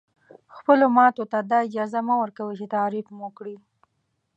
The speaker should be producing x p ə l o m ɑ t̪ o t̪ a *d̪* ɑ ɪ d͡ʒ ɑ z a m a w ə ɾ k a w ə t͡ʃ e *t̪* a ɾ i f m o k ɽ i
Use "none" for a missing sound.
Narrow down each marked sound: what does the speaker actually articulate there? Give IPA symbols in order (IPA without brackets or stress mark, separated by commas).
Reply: d̪, t̪